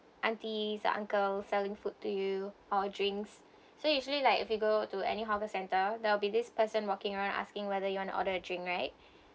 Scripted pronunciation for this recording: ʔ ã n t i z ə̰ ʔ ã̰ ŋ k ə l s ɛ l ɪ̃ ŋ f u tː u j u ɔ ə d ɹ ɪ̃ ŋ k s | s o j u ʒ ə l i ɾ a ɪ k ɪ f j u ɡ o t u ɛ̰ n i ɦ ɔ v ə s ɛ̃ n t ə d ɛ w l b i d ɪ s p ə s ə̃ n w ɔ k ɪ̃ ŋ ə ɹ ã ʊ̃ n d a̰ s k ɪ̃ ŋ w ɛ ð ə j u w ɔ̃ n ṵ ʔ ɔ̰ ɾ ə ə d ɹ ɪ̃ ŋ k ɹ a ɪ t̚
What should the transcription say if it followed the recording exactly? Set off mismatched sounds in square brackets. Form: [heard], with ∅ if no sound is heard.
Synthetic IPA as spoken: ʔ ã n t i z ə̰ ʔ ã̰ ŋ k ə l s ɛ l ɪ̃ ŋ f u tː u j u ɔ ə d ɹ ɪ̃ ŋ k s | s o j u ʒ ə l i [l] a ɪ k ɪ f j u ɡ o t u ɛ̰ n i ɦ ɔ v ə s ɛ̃ n t ə d ɛ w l b i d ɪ s p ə s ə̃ n w ɔ k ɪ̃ ŋ ə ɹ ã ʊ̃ n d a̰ s k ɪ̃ ŋ w ɛ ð ə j u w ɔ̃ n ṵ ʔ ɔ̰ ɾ ə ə d ɹ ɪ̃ ŋ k ɹ a ɪ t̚